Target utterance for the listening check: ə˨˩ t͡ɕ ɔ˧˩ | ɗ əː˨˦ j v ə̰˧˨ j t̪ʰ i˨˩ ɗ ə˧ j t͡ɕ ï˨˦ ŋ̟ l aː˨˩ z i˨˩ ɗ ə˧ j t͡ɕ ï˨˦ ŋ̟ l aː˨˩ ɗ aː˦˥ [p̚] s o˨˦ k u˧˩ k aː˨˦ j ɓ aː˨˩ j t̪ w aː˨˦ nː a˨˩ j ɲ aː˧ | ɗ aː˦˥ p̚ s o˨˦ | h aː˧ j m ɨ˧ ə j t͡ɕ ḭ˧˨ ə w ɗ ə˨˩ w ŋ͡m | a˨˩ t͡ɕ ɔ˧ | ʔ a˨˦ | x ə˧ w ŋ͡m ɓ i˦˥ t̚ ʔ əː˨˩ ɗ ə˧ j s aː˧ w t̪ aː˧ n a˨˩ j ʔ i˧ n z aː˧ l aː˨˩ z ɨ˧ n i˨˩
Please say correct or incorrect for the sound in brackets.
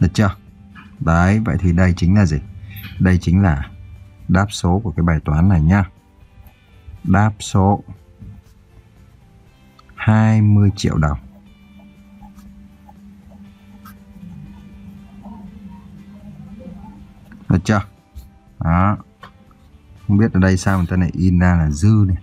correct